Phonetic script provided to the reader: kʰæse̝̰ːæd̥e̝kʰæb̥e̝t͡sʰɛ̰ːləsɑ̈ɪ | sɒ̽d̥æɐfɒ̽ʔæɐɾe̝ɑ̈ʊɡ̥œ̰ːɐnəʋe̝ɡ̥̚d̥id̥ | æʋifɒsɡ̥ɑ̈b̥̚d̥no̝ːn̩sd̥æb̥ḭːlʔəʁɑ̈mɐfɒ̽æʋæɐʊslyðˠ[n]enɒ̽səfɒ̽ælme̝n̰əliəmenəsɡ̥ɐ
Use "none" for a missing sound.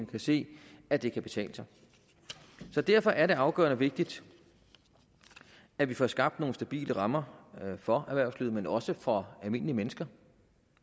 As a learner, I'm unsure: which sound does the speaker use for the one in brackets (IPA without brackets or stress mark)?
m